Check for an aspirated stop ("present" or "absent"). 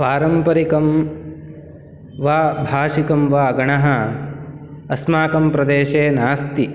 absent